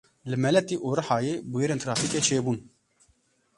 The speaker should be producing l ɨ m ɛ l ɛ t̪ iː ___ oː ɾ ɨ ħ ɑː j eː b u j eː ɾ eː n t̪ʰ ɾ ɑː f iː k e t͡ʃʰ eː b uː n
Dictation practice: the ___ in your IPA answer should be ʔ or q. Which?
ʔ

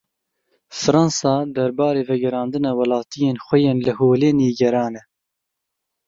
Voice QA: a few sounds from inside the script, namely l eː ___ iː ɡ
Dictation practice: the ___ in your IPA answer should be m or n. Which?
n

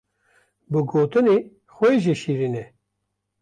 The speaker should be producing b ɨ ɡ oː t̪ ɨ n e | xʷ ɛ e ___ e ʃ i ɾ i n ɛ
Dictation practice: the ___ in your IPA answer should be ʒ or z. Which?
ʒ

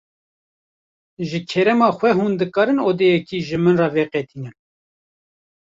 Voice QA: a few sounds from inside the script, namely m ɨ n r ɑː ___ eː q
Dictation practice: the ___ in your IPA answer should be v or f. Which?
v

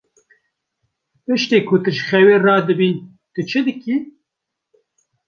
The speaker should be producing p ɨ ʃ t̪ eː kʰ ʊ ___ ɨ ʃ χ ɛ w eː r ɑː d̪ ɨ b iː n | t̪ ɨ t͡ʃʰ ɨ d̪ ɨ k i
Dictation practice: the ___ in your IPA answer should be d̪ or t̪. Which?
t̪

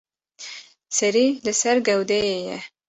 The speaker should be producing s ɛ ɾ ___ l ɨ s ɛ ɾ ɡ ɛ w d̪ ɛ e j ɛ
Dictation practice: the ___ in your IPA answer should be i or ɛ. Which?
i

